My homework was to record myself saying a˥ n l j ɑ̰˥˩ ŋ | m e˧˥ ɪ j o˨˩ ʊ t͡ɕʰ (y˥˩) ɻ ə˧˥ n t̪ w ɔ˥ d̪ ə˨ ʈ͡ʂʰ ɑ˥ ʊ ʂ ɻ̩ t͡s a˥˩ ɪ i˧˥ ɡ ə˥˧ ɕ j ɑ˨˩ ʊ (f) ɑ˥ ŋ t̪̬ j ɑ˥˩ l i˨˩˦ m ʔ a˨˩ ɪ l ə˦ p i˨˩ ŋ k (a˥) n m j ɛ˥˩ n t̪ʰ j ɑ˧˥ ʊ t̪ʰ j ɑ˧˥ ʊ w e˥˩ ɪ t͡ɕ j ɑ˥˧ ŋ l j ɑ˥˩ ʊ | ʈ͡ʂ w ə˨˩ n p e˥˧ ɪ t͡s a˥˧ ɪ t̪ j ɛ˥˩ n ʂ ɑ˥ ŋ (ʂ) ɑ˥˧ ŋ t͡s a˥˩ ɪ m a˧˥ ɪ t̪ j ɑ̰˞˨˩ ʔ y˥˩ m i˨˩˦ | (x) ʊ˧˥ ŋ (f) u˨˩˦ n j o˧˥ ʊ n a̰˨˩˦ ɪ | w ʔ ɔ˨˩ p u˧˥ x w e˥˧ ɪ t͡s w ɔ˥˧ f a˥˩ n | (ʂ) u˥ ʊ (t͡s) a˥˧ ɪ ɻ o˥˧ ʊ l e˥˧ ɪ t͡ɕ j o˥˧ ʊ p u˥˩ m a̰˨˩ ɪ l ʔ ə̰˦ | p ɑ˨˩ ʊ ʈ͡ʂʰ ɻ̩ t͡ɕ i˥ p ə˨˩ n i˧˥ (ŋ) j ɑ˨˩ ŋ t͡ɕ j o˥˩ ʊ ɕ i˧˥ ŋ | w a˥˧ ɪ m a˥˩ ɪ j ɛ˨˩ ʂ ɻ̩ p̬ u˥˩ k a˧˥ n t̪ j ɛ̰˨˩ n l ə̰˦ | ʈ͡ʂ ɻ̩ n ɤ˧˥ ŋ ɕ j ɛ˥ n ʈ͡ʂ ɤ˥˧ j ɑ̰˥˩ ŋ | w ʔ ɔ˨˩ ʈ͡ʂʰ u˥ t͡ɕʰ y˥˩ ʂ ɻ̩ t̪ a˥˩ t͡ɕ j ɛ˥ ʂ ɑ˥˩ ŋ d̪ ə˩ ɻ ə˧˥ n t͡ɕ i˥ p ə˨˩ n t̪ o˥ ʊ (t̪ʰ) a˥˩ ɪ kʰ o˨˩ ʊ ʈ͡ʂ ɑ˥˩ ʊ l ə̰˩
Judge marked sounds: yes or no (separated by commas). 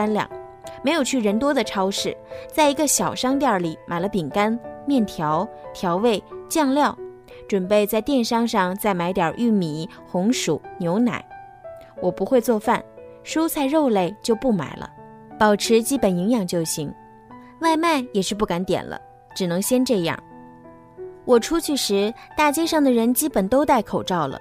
yes, no, yes, yes, yes, no, yes, no, yes, no